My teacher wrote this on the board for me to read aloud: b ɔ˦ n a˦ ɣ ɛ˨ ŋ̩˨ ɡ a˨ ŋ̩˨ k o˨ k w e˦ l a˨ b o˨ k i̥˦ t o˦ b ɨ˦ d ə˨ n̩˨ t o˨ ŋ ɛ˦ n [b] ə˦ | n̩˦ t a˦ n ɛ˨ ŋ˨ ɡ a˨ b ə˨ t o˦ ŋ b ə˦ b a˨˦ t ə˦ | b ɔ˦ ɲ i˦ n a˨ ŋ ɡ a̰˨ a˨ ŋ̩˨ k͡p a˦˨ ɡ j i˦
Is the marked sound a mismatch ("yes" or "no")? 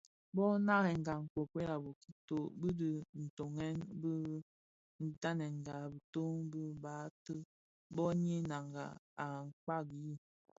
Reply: no